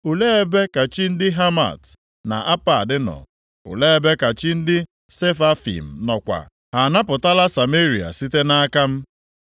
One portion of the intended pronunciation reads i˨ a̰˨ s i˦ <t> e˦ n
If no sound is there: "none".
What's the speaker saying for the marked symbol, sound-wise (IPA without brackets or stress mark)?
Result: t